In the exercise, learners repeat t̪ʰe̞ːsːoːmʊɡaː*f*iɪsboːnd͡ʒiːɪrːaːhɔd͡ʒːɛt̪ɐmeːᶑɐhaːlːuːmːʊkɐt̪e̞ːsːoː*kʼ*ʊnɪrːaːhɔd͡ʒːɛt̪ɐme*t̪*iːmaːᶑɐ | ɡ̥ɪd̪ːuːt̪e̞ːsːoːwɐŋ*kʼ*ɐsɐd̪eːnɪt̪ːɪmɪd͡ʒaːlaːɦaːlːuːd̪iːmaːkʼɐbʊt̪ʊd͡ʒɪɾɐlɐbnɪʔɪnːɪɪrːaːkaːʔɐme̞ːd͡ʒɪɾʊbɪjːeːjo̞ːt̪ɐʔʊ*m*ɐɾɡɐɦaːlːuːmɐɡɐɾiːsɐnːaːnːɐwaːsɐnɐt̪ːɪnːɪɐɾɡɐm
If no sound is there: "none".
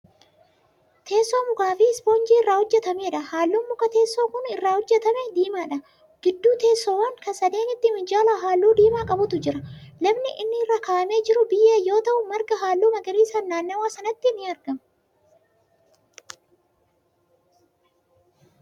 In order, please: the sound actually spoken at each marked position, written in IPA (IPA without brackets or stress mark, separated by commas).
f, k, d̪, k, m